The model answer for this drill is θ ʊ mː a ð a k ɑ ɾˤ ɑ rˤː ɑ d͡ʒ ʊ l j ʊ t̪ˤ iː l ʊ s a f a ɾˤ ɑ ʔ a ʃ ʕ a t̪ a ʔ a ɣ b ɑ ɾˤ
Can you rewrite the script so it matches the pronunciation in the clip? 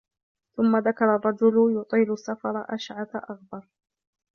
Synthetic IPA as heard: θ ʊ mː a ð a k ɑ ɾˤ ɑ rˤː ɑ d͡ʒ ʊ l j ʊ t̪ˤ iː l ʊ sː a f ɑ ɾˤ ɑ ʔ a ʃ ʕ a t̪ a ʔ a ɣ b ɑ ɾˤ